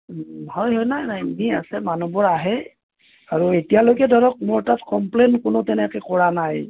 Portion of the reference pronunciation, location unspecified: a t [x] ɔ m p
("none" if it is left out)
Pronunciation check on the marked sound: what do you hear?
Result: k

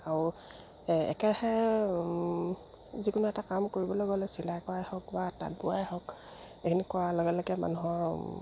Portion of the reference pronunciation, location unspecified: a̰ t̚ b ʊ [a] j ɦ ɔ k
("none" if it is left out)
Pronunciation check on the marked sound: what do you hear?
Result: a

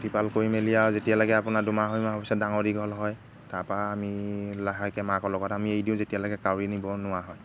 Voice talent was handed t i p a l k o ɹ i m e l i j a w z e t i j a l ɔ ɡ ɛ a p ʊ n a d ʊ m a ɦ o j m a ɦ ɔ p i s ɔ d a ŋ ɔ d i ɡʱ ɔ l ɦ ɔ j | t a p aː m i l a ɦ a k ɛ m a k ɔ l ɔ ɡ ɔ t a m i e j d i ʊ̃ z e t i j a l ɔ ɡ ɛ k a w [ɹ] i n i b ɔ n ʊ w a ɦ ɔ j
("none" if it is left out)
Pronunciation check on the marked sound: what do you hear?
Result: ɹ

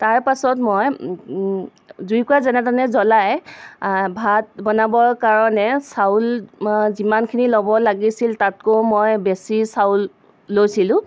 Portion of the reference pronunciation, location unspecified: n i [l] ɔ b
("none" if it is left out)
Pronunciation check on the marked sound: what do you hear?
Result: l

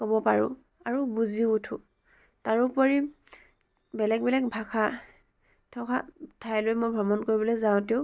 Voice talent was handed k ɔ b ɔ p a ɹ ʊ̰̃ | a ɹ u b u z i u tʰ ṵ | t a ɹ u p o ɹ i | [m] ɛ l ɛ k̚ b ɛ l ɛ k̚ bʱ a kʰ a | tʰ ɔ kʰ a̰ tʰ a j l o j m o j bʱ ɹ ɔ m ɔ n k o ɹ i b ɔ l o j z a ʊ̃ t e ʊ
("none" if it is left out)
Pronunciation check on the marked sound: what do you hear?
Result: b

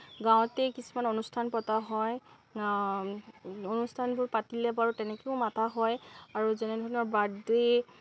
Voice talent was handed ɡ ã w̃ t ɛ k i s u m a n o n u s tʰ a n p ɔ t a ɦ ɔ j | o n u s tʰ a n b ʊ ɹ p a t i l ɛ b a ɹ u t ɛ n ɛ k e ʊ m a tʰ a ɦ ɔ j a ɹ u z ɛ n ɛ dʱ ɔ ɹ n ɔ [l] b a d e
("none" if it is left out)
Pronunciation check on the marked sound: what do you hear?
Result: ɹ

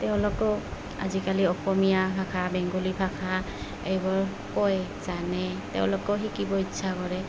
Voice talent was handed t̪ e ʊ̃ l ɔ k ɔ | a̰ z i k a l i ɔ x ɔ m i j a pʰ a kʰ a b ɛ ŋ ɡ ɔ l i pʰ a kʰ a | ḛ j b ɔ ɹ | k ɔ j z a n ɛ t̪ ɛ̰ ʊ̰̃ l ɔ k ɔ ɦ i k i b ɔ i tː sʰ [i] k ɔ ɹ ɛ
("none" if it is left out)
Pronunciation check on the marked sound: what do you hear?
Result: a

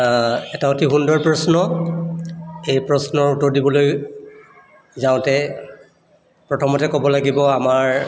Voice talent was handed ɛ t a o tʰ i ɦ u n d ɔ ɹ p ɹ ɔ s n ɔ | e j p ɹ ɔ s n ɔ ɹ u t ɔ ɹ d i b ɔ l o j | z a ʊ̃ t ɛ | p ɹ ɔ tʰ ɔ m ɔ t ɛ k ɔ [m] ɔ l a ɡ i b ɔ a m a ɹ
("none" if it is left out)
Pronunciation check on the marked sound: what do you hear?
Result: b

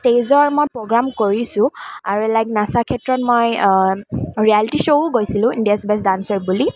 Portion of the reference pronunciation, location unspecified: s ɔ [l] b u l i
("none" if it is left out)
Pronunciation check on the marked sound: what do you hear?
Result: ɹ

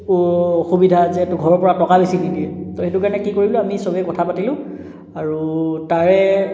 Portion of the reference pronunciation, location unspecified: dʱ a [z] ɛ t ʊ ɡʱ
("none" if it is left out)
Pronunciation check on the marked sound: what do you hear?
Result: z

